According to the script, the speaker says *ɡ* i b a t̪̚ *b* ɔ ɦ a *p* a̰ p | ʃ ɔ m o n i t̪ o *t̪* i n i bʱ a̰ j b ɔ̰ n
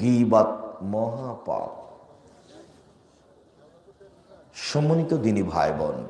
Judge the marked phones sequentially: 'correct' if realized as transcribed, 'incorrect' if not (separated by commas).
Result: correct, incorrect, correct, incorrect